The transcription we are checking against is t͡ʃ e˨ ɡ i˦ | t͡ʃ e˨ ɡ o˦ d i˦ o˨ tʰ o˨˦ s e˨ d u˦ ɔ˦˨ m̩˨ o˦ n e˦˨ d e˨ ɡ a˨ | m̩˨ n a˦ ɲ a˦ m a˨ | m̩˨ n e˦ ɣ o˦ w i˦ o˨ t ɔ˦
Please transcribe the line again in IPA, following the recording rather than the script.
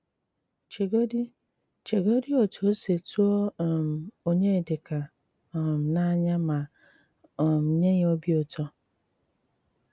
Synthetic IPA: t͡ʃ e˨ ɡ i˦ | t͡ʃ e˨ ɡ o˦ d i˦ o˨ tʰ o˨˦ s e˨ t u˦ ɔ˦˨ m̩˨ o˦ ɲ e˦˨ d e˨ k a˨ | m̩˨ n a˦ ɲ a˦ m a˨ | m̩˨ ɲ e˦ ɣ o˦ b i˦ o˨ t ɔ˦